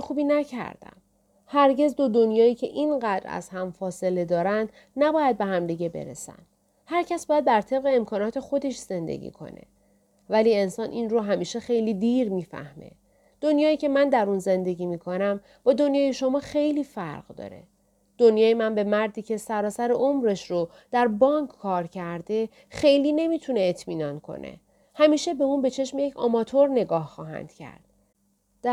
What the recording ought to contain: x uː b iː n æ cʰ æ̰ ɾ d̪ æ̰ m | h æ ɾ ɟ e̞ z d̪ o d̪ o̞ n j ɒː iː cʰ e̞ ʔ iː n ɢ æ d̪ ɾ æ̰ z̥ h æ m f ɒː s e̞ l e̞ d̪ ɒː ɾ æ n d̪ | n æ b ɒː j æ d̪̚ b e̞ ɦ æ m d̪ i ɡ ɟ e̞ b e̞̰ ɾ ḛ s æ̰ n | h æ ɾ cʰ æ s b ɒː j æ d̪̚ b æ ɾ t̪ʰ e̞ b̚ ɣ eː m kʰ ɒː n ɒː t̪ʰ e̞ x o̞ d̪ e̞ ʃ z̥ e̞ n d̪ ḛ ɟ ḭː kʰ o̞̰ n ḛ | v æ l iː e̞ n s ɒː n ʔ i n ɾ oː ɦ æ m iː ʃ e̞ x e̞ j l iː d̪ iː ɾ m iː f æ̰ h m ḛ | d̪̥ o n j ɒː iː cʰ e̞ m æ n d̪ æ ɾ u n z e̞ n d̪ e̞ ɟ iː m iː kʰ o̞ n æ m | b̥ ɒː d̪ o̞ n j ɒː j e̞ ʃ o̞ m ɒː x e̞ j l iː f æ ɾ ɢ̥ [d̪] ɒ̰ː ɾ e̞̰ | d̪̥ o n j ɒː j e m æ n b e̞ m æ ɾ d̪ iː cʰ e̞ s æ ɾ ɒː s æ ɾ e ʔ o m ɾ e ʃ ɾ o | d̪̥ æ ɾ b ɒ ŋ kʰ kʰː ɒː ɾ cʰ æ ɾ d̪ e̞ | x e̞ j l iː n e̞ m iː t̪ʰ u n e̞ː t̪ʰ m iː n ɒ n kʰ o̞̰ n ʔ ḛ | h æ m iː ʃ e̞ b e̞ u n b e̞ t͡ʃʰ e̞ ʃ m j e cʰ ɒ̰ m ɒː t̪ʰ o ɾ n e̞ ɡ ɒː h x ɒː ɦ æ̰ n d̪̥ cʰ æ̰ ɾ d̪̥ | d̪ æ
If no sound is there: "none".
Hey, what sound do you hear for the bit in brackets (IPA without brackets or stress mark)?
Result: d̪